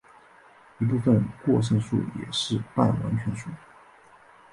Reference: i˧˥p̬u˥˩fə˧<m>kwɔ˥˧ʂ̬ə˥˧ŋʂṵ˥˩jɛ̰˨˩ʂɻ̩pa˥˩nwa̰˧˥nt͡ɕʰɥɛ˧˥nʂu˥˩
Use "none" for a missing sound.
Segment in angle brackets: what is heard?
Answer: n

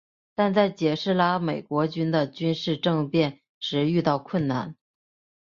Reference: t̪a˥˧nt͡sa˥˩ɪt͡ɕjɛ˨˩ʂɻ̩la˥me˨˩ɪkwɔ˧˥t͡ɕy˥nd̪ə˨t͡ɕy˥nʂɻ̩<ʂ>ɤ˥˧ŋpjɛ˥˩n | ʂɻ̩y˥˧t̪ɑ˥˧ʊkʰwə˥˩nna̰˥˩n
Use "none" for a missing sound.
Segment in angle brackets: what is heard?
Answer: ʈ͡ʂ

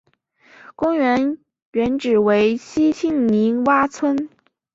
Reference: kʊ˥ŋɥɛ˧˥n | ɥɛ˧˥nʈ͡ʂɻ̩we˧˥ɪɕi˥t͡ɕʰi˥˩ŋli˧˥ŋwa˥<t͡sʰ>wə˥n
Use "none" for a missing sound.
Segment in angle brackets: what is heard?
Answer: t͡sʰ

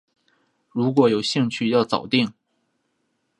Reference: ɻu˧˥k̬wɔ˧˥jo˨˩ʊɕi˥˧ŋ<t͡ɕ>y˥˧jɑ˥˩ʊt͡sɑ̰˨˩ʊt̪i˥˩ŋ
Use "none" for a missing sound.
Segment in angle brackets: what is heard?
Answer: t͡ɕʰ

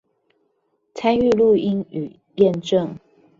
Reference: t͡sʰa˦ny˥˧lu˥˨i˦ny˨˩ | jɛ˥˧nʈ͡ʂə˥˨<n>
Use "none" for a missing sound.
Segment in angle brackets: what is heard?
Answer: ŋ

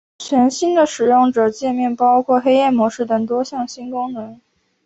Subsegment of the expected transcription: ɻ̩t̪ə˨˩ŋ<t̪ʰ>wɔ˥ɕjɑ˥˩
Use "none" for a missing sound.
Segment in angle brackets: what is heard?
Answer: t̪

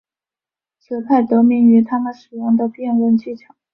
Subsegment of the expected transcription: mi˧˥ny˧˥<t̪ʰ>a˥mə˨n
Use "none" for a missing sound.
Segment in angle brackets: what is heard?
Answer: t̪ʰ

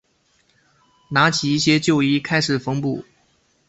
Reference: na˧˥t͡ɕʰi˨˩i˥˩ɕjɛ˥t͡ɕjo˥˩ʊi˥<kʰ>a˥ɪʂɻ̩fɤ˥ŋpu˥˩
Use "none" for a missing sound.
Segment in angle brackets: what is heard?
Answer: kʰ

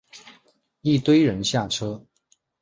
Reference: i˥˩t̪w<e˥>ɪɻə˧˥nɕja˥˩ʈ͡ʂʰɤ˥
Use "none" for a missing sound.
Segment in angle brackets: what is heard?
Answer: e˥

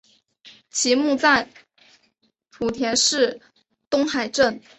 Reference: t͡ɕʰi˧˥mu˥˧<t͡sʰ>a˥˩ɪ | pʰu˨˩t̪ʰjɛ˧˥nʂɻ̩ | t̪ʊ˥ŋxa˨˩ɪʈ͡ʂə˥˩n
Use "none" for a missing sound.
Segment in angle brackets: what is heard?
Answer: t͡s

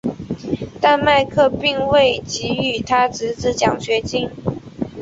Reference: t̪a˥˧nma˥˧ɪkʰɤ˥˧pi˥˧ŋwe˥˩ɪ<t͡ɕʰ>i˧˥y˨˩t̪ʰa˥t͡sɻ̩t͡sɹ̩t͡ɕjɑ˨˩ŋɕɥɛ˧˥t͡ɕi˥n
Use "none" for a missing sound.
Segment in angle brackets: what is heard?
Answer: t͡ɕ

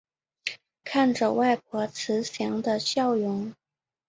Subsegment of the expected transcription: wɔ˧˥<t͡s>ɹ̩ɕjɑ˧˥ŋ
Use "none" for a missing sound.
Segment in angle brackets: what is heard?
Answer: t͡sʰ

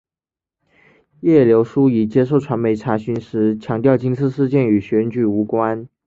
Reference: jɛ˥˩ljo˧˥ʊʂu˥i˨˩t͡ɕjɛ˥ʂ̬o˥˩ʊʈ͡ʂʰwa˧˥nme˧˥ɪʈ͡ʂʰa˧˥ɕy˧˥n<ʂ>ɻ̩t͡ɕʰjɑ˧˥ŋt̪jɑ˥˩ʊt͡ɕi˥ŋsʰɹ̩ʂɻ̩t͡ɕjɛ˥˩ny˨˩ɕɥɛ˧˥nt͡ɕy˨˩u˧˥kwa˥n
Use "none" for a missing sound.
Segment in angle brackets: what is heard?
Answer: ʂ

